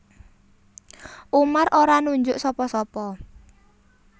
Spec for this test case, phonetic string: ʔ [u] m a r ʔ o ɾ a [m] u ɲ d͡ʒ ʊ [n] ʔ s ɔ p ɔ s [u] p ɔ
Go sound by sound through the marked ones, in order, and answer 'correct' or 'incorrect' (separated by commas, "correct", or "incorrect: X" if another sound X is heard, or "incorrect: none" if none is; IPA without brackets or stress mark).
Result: correct, incorrect: n, incorrect: none, incorrect: ɔ